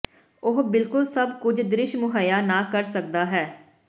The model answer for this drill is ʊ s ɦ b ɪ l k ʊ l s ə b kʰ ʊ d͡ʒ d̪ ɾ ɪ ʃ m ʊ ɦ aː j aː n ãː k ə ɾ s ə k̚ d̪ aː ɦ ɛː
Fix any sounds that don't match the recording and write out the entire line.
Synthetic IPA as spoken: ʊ ɦ b ɪ l k ʊ l s ə b k ʊ d͡ʒ d̪ ɾ ɪ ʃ m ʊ ɦ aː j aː n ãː k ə ɾ s ə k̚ d̪ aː ɦ ɛː